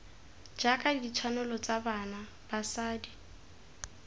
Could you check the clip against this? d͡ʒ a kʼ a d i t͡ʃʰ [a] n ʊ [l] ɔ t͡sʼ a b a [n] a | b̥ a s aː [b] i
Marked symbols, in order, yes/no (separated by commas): yes, yes, yes, no